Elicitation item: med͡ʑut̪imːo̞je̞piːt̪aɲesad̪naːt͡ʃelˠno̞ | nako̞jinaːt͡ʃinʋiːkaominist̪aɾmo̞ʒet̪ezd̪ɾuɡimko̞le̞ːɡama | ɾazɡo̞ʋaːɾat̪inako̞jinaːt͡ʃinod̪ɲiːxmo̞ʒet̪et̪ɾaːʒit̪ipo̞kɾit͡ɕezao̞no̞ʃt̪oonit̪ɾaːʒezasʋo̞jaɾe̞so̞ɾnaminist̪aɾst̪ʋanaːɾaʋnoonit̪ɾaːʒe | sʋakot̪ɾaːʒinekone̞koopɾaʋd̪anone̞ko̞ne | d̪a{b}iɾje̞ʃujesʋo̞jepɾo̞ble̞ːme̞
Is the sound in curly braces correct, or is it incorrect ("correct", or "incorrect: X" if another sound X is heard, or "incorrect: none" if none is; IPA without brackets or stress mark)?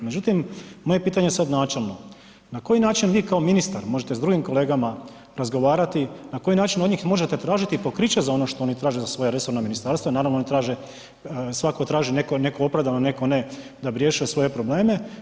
correct